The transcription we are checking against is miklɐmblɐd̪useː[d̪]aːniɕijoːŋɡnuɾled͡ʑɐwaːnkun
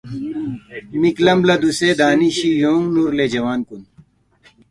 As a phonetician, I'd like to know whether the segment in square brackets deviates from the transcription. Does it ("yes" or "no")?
no